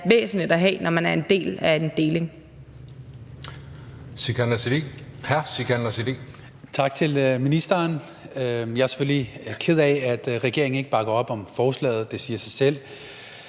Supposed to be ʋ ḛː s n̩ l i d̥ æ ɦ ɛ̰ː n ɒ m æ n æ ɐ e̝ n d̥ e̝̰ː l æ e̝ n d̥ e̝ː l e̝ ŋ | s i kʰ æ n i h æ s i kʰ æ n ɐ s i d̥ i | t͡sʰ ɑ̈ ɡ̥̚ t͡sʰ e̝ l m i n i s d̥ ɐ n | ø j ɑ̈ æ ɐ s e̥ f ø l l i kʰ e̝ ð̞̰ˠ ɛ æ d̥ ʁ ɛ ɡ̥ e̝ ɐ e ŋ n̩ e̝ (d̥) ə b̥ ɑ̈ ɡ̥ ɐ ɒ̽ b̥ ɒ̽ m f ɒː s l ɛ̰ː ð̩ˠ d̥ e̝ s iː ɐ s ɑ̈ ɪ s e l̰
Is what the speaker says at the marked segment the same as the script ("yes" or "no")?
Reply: no